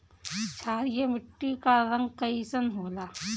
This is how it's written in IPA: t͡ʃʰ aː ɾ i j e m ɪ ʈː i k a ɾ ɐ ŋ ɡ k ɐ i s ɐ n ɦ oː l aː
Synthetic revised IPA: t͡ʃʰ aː ɾ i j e m ɪ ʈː i k a ɾ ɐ ŋ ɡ k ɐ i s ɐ n ɦ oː l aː